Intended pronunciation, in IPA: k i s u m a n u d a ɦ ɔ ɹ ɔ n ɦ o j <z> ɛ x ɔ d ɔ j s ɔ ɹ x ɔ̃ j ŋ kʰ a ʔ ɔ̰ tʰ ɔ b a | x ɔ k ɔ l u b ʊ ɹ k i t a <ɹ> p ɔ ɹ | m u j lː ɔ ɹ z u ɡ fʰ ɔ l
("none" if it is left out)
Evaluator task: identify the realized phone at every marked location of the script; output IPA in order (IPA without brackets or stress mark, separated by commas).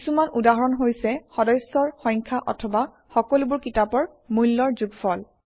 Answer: s, none